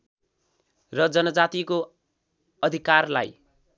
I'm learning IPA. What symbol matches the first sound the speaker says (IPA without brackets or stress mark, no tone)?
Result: r